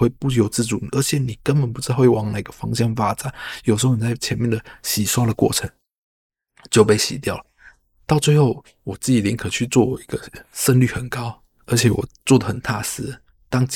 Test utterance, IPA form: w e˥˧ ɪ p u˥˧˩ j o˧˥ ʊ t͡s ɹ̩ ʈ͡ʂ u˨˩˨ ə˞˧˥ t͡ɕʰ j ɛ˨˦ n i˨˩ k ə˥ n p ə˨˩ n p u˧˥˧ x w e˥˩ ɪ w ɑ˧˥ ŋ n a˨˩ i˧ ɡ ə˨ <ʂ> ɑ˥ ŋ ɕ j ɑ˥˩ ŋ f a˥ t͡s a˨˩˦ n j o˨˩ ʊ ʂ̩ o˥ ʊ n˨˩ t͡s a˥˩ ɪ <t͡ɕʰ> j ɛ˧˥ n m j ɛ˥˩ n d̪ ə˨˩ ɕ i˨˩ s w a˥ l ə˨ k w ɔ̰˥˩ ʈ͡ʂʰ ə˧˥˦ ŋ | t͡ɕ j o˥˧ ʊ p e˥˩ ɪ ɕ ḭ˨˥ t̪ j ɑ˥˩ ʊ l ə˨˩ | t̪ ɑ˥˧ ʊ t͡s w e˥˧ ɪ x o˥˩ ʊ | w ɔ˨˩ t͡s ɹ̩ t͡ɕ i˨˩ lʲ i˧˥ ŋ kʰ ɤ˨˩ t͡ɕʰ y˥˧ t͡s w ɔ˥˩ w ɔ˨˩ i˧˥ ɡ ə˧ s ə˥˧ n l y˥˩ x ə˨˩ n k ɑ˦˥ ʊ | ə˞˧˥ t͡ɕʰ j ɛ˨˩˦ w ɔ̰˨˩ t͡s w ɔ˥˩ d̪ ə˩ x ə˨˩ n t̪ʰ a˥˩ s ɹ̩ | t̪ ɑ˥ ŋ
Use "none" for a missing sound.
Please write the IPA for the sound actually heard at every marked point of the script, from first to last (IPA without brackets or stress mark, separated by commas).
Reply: f, t͡ɕʰ